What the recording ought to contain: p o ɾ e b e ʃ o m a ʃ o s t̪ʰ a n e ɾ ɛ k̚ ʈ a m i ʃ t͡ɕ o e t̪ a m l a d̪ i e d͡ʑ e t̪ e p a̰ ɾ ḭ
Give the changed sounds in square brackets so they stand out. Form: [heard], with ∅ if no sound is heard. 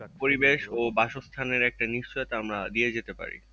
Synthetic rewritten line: p o ɾ [i] b e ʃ o [b] a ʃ o s t̪ʰ a n e ɾ ɛ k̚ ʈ a [n] i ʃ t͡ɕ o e t̪ a m [ɾ] a d̪ i e d͡ʑ e t̪ e p a̰ ɾ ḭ